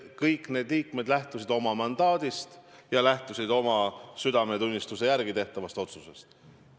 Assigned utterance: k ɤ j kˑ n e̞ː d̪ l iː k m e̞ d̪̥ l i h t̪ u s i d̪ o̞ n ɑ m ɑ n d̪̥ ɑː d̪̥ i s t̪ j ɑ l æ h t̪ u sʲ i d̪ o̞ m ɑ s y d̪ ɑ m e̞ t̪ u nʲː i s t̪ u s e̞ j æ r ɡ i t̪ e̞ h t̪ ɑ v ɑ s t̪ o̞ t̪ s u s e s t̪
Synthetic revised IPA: k ɤ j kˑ n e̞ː d̪ l iː k m e̞ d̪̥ l æ h t̪ u s i d̪ o̞ m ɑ m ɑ n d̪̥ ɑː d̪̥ i s t̪ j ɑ l æ h t̪ u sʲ i d̪ o̞ m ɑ s y d̪ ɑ m e̞ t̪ u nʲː i s t̪ u s e̞ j æ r ɡ i t̪ e̞ h t̪ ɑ v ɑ s t̪ o̞ t̪ s u s e s t̪

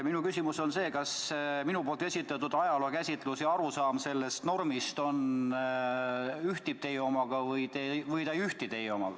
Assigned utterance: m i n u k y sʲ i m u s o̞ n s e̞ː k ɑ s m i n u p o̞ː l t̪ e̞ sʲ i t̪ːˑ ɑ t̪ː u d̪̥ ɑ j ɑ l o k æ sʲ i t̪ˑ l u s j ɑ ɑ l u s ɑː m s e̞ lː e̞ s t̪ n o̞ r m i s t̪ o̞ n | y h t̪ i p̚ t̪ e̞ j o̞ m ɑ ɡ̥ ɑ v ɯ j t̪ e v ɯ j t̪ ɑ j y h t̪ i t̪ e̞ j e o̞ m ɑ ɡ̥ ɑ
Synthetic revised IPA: m i n u k y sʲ i m u s o̞ n s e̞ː k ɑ s m i n u p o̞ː l t̪ e̞ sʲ i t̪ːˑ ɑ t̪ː u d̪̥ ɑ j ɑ l o k æ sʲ i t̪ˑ l u s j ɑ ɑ ɾ u s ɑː m s e̞ lː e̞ s t̪ n o̞ r m i s t̪ o̞ n | y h t̪ i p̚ t̪ e̞ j o̞ m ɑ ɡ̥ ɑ v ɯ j t̪ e v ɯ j t̪ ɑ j y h t̪ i t̪ e̞ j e o̞ m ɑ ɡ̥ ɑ

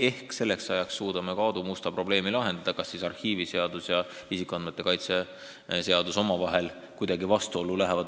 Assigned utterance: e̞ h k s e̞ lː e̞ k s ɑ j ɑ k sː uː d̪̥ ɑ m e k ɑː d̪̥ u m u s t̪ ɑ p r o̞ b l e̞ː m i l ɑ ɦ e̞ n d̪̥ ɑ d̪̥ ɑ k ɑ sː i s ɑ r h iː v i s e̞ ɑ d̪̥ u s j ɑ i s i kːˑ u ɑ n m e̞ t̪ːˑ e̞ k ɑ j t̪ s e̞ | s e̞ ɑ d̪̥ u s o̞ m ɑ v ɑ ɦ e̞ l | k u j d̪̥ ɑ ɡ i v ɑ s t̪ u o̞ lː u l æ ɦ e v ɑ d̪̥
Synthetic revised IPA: e̞ h k s e̞ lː e̞ k s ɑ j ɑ k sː uː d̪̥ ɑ m e k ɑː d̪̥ u m u s t̪ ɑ p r o̞ b l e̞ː m i l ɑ ɦ e̞ n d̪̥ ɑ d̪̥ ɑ k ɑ sː i s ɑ r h iː v i s e̞ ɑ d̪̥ u s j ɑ i s i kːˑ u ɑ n m e̞ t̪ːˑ e̞ k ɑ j t̪ s e̞ | s e̞ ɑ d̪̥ u s o̞ m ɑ v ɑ ɦ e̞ l | k u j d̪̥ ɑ ɡ i v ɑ s t̪ u o̞ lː u l æ ɦ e v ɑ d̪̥

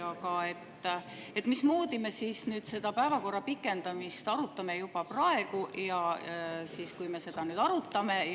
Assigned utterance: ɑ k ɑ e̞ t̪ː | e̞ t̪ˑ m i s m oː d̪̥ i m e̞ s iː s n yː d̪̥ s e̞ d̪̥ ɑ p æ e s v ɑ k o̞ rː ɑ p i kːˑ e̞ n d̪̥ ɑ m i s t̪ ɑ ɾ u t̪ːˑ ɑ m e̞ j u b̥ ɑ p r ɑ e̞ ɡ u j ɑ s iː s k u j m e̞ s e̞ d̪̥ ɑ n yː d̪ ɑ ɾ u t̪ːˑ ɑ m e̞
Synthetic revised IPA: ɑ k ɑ e̞ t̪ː | e̞ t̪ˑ m i s m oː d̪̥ i m e̞ s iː s n yː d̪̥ s e̞ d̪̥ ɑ p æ e v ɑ k o̞ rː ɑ p i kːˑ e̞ n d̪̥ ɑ m i s t̪ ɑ ɾ u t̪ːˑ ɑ m e̞ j u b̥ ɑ p r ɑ e̞ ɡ u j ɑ s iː s k u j m e̞ s e̞ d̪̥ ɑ n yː d̪ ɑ ɾ u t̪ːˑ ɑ m e̞

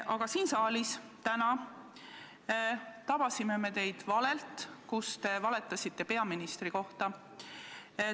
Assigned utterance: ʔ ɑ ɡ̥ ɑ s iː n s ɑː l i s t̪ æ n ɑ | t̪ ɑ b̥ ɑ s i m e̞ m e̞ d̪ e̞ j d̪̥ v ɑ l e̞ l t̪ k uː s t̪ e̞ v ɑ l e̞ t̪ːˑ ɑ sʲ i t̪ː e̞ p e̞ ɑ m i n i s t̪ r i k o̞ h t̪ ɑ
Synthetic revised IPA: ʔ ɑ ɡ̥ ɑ s iː n s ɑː l i s t̪ æ n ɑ | t̪ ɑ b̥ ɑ s i m e̞ m e̞ t̪ e̞ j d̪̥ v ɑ l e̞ l t̪ k u s t̪ e̞ v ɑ l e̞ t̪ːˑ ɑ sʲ i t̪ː e̞ p e̞ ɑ m i n i s t̪ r i k o̞ h t̪ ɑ

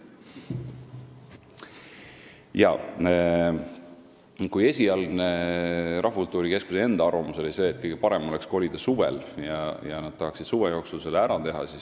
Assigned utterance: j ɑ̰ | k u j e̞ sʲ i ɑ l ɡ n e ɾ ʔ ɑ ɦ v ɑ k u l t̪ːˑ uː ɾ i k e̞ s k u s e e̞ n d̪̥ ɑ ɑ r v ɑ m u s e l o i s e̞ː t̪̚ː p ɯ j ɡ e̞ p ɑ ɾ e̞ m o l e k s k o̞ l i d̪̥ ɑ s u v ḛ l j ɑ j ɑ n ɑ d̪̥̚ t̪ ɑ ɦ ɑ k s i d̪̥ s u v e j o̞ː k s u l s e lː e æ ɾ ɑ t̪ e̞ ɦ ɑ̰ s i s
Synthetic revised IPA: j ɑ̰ | k u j e̞ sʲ i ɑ l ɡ n e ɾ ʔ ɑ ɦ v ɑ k u l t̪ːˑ uː ɾ i k e̞ s k u s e e̞ n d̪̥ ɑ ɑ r v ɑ m u s e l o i s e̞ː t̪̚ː k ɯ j ɡ e̞ p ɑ ɾ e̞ m o l e k s k o̞ l i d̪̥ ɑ s u v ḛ l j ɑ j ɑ n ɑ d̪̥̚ t̪ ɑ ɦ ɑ k s i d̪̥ s u v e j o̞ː k s u l s e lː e æ ɾ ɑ t̪ e̞ ɦ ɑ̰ s i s

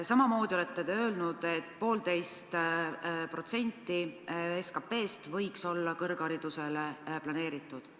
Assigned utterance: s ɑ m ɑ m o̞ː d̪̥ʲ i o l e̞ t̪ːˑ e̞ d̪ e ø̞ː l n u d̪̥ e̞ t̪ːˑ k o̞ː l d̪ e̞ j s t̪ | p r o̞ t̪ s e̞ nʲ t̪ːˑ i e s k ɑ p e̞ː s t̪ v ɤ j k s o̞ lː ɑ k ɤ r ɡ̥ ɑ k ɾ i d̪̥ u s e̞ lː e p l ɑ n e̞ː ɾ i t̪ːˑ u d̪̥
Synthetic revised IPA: s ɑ m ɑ m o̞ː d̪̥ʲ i o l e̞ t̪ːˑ e̞ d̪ e ø̞ː l n u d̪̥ e̞ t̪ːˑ p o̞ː l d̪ e̞ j s t̪ | p r o̞ t̪ s e̞ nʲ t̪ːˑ i e s k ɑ p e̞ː s t̪ v ɤ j k s o̞ lː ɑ k ɤ r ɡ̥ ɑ ɾ i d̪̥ u s e̞ l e p l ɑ n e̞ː ɾ i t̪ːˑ u d̪̥

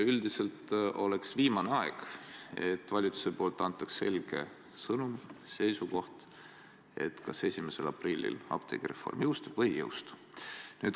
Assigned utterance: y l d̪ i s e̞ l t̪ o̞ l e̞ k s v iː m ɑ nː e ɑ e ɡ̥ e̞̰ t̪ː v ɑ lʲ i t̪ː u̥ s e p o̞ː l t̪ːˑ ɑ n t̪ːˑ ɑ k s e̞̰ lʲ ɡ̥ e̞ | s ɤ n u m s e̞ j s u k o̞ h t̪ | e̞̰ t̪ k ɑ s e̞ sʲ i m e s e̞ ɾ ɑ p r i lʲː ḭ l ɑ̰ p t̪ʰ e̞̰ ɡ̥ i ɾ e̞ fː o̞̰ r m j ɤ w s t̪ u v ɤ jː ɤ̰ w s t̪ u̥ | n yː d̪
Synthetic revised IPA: y l d̪ i s e̞ l t̪ o̞ l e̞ k s v iː m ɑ n e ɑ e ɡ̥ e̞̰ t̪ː v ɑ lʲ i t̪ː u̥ s e p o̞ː l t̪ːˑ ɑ n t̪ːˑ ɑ k s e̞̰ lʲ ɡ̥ e̞ | s ɤ n u m s e̞ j s u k o̞ h t̪ | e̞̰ t̪ k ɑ s e̞ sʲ i m e s e̞ l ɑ p r i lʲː ḭ l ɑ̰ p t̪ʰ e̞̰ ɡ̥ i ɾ e̞ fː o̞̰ r m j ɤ w s t̪ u v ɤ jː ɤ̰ w s t̪ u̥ | n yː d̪

